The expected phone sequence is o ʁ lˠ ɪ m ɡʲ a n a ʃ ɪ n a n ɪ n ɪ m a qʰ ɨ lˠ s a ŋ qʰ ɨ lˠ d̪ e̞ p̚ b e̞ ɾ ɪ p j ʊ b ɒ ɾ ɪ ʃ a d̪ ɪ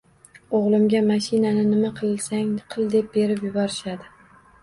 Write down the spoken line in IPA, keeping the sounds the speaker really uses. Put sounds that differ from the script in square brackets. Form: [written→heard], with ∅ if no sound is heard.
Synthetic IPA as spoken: o ʁ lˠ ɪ m ɡʲ a [n→m] a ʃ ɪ n a n ɪ n ɪ m a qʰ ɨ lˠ s a ŋ qʰ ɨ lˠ d̪ e̞ p̚ b e̞ ɾ ɪ p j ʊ b ɒ ɾ ɪ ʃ a d̪ ɪ

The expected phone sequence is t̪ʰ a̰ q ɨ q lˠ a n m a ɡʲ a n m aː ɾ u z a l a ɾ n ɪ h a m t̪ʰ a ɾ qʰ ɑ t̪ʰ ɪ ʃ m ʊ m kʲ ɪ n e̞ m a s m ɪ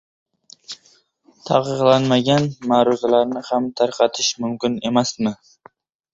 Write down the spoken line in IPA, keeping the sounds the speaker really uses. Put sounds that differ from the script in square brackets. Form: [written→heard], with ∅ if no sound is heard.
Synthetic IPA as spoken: t̪ʰ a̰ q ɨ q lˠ a n m a ɡʲ a n m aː ɾ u z a l a ɾ n ɪ h a m t̪ʰ a ɾ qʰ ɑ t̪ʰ ɪ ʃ m ʊ m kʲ ɪ n e̞ m a s m ɪ

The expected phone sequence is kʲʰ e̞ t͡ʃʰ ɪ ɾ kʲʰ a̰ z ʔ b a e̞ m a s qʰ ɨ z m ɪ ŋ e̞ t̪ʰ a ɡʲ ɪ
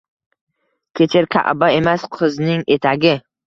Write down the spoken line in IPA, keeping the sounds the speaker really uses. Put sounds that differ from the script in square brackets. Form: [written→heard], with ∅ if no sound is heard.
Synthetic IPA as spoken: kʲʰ e̞ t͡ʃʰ ɪ ɾ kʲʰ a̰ [z→∅] ʔ b a e̞ m a s qʰ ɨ z [m→n] ɪ ŋ e̞ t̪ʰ a ɡʲ ɪ

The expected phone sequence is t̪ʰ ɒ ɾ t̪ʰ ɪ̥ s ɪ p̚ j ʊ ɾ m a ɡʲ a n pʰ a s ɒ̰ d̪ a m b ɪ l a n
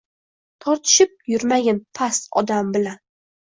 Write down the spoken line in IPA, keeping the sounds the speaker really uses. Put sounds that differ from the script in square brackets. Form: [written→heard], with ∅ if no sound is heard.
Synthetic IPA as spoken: t̪ʰ ɒ ɾ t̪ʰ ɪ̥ [s→ʃ] ɪ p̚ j ʊ ɾ m a ɡʲ a n pʰ a s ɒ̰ d̪ a m b ɪ l a n

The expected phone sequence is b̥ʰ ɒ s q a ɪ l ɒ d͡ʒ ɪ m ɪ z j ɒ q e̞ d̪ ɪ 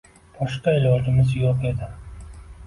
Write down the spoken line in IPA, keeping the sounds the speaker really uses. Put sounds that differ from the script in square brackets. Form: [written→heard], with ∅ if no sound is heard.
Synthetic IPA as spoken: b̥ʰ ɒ [s→ʃ] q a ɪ l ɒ d͡ʒ ɪ m ɪ z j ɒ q e̞ d̪ ɪ

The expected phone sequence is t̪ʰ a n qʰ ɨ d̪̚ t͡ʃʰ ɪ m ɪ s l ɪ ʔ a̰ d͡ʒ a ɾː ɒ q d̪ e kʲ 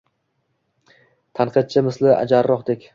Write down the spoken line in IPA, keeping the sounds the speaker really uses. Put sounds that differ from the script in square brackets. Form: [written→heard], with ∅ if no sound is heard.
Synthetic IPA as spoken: t̪ʰ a n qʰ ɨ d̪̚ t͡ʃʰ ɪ m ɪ s l ɪ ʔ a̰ d͡ʒ a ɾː ɒ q d̪ e kʲ

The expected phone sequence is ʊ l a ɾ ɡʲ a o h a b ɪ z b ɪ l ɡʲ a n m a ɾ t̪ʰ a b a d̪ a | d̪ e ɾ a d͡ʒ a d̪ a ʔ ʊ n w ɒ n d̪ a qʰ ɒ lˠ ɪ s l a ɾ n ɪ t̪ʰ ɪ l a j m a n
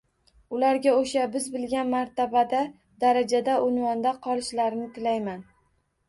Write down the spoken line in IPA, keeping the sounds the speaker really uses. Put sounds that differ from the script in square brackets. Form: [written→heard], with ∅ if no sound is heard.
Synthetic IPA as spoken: ʊ l a ɾ ɡʲ a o [h→ʃ] a b ɪ z b ɪ l ɡʲ a n m a ɾ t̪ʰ a b a d̪ a | d̪ [e→a] ɾ a d͡ʒ a d̪ a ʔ ʊ n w ɒ n d̪ a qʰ ɒ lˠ ɪ [s→ʃ] l a ɾ n ɪ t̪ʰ ɪ l a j m a n

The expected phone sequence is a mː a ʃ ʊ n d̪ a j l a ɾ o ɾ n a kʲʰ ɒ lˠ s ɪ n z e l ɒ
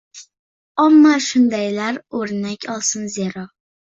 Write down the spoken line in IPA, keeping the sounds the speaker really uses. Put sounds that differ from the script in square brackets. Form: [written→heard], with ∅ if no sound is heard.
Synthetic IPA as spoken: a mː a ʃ ʊ n d̪ a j l a ɾ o ɾ n a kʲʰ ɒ lˠ s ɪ n z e [l→ɾ] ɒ

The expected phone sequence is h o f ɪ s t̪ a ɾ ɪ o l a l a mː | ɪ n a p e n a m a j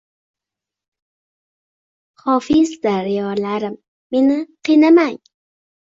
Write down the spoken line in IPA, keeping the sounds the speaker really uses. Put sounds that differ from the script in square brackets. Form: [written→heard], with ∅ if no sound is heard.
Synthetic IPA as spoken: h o f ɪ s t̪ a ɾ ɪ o l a [l→ɾ] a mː | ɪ n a [p→q] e n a m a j

